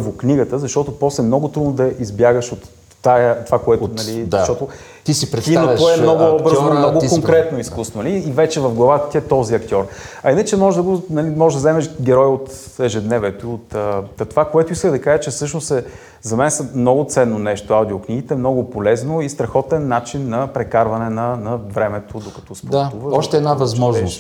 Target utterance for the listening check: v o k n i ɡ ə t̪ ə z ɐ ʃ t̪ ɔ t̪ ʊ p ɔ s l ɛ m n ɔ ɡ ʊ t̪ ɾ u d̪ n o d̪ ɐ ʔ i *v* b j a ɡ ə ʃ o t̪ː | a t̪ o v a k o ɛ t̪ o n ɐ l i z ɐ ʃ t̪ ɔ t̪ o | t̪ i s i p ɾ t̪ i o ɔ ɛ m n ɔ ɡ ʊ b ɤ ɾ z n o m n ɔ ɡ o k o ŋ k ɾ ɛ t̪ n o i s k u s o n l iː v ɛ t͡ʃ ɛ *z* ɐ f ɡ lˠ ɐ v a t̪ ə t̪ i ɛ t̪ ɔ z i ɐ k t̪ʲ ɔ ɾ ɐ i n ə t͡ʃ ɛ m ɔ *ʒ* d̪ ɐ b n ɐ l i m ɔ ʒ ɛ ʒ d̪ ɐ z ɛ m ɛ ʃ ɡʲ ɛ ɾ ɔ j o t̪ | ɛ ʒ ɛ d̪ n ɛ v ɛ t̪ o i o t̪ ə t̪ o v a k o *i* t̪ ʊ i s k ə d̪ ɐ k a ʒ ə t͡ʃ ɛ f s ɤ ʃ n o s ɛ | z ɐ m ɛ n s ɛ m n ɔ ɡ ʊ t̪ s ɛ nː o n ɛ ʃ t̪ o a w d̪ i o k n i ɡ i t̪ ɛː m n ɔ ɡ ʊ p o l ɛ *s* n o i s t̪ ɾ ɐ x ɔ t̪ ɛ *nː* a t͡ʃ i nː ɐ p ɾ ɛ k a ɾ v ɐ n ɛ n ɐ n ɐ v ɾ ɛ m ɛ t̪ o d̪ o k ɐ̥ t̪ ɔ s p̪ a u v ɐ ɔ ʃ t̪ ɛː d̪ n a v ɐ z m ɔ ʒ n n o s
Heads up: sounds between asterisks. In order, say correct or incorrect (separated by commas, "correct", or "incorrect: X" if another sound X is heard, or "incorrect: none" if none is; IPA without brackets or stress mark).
incorrect: z, incorrect: v, correct, incorrect: ɛ, incorrect: z, correct